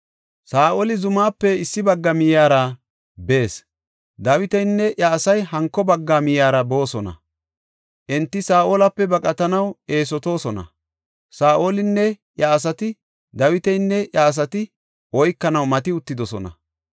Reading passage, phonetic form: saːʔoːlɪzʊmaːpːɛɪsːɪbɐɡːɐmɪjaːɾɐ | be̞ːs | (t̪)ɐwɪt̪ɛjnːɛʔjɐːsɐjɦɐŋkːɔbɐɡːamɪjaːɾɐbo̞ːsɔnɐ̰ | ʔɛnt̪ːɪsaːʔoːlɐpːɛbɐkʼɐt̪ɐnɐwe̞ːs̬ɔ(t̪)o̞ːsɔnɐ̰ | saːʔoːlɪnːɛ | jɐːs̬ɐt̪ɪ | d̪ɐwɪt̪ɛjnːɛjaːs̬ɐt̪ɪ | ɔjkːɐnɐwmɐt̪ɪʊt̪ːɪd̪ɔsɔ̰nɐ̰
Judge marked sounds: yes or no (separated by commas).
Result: no, yes